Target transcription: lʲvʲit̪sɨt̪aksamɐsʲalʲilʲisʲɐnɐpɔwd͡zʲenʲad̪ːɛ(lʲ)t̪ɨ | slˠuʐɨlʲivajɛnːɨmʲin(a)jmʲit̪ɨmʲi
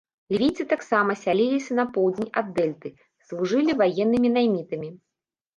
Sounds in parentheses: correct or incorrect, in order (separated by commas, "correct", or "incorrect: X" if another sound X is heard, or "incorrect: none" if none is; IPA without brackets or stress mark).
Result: correct, correct